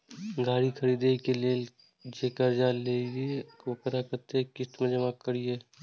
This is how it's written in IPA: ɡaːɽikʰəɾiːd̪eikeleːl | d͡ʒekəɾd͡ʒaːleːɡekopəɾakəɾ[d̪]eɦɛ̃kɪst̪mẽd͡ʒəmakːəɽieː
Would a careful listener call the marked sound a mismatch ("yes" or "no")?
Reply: yes